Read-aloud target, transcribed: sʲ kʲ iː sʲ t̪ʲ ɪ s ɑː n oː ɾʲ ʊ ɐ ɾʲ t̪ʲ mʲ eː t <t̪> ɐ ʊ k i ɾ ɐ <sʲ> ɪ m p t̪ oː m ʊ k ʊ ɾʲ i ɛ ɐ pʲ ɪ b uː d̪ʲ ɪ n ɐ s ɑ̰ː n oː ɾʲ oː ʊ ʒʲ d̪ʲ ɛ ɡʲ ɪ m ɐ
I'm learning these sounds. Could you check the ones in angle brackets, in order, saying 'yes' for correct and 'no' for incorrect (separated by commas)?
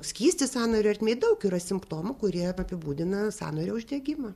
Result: no, yes